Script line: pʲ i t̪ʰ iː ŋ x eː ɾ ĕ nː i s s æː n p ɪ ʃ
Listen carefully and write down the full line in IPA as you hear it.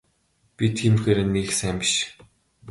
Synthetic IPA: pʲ i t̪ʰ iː m x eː ɾ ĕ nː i x s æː m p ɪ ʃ

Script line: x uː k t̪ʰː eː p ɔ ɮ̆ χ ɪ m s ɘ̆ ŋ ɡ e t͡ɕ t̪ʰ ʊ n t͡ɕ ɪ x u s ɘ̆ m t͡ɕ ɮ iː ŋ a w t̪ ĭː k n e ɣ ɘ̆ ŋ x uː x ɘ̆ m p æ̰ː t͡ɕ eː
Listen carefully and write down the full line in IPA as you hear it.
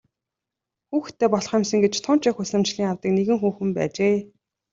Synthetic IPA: x uː x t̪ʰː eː p ɔ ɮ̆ χ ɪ m s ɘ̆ ŋ ɡ e t͡ɕ t̪ʰ ʊ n t͡ɕ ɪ x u s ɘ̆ m t͡ɕ ɮ iː ŋ a w t̪ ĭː k n e ɣ ɘ̆ ŋ x uː x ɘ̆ m p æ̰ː t͡ɕ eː

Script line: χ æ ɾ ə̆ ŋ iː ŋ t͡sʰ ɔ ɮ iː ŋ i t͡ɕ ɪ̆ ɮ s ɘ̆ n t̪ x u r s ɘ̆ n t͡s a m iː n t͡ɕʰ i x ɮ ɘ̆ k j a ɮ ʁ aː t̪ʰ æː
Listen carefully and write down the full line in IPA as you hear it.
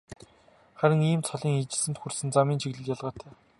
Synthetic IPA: χ æ ɾ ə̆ ŋ iː m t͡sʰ ɔ ɮ iː ŋ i t͡ɕ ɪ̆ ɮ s ɘ̆ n t̪ x u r s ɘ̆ n t͡s a m iː n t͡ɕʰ i ɣ ɮ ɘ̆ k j a ɮ ʁ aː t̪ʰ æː

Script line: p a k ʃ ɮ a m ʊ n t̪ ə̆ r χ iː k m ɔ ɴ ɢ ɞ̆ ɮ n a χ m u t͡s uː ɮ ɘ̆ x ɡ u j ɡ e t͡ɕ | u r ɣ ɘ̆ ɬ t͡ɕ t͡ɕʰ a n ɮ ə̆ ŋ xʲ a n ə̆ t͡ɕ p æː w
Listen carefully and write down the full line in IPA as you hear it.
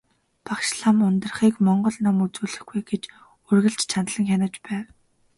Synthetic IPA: p a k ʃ ɮ a m ʊ n t̪ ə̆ r χ iː k m ɔ ɴ ɢ ɞ̆ ɮ n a m u t͡s uː ɮ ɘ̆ x ɡ u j ɡ e t͡ɕ | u r ɣ ɘ̆ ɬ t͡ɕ t͡ɕʰ a n ɮ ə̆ ŋ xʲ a n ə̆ t͡ɕ p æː w

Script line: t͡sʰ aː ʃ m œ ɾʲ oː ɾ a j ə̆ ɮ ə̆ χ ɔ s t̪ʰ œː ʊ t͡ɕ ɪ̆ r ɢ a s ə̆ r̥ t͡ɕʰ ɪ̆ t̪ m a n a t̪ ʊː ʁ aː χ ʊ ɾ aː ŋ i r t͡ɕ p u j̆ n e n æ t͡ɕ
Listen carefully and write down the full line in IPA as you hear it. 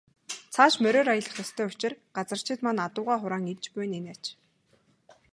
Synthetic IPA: t͡sʰ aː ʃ m œ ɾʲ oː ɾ a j ə̆ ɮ ə̆ χ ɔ s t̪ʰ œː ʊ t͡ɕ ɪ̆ r ɢ a t͡s ə̆ r̥ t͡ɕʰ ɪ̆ t̪ m a n a t̪ ʊː ʁ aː χ ʊ ɾ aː ŋ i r t͡ɕ p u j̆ n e n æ t͡ɕ

